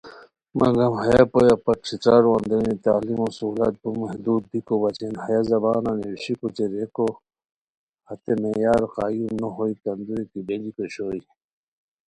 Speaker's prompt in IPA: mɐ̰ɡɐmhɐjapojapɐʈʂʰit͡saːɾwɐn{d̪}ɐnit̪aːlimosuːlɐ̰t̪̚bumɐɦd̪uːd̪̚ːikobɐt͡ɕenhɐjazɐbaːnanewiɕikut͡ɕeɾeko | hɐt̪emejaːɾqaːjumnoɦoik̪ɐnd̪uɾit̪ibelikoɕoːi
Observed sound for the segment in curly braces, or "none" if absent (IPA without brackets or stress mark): d̪